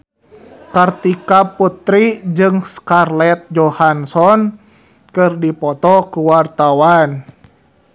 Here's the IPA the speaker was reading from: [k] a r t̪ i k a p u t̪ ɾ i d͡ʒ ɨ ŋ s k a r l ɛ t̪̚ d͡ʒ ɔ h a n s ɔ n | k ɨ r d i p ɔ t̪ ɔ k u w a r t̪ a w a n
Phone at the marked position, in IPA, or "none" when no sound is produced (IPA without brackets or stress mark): k